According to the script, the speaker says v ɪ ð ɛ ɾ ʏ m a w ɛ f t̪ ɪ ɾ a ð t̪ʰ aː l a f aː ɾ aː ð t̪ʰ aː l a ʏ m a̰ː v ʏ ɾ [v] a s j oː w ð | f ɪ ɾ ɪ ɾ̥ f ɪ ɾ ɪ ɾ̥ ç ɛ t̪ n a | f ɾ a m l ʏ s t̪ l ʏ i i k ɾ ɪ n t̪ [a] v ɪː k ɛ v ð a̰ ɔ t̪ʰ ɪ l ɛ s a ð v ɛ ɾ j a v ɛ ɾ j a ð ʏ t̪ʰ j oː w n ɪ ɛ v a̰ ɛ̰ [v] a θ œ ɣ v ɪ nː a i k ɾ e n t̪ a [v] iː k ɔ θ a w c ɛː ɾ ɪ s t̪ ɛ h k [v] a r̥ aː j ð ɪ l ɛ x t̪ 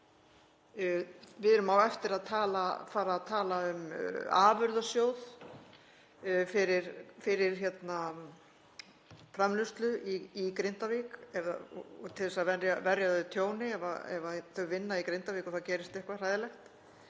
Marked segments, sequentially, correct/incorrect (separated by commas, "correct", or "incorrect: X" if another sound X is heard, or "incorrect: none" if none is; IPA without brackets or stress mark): incorrect: ð, correct, correct, correct, correct